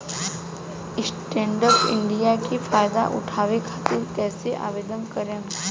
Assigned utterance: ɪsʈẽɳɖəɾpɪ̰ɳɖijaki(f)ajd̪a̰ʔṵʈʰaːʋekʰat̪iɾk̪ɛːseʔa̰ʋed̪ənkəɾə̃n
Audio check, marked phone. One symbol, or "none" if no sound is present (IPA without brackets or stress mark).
f